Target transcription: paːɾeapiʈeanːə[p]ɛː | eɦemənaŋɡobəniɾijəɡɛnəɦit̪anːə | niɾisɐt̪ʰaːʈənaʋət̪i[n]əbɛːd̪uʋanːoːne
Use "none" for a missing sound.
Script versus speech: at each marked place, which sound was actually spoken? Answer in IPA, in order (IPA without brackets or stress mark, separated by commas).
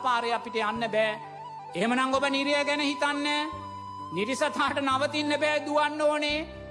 b, nː